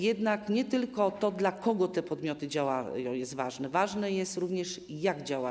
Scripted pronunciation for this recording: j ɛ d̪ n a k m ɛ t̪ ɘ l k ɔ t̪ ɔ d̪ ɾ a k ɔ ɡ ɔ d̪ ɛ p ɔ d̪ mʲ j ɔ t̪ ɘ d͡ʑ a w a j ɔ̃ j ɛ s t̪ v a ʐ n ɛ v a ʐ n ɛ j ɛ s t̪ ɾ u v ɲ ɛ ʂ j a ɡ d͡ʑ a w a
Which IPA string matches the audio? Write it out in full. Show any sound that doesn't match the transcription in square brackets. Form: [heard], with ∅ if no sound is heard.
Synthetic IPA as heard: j ɛ d̪ n a k [ɲ] ɛ t̪ ɘ l k ɔ t̪ ɔ d̪ [l] a k ɔ ɡ ɔ [t̪] ɛ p ɔ d̪ mʲ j ɔ t̪ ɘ d͡ʑ a w a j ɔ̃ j ɛ s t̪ v a ʐ n ɛ v a ʐ n ɛ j ɛ s t̪ ɾ u v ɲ ɛ ʂ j a ɡ d͡ʑ a w a